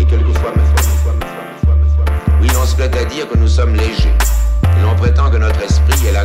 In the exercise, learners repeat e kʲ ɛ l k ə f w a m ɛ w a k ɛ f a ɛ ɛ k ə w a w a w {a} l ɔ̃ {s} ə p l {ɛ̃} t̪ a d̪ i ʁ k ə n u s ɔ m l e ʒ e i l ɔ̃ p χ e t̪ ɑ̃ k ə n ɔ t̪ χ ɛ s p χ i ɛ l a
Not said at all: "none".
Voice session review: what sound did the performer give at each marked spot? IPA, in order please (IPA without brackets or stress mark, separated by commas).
i, s, ɛ